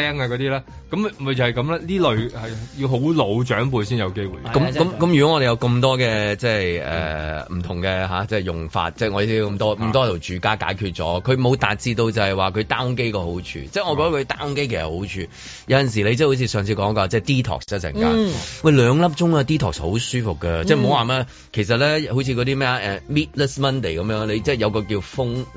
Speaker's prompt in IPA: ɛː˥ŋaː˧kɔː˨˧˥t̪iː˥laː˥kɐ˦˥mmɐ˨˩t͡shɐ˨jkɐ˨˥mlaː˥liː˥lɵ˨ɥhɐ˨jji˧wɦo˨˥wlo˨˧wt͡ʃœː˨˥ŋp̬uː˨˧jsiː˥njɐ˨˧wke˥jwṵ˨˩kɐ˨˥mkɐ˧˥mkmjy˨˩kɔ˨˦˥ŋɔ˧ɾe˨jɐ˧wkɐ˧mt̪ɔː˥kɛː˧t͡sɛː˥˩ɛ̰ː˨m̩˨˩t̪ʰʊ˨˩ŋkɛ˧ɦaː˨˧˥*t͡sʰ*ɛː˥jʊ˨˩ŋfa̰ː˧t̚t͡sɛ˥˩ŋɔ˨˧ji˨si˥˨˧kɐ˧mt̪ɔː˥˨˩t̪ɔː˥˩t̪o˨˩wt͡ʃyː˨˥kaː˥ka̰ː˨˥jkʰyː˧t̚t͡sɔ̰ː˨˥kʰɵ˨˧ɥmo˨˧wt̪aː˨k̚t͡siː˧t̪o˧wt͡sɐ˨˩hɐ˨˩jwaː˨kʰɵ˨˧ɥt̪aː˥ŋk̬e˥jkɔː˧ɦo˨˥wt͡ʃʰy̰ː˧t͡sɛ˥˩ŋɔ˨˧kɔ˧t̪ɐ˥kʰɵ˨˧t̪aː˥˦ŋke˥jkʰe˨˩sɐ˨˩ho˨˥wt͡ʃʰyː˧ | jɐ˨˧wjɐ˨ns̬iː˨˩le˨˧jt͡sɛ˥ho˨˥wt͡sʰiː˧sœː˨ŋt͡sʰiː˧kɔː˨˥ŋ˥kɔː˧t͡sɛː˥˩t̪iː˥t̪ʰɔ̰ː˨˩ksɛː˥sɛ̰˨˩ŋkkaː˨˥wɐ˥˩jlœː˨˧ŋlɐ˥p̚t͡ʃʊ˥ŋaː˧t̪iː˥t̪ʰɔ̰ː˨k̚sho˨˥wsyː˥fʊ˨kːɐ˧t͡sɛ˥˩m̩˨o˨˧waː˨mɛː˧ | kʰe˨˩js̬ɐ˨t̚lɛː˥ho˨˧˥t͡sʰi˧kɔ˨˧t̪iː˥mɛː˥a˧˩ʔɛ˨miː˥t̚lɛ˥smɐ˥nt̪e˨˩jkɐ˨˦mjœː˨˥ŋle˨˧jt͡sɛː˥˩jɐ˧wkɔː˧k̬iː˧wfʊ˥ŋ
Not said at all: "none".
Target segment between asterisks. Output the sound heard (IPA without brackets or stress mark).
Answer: t͡s